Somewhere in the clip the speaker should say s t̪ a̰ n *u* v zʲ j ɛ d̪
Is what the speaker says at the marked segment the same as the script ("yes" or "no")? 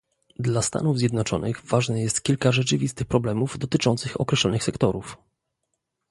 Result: yes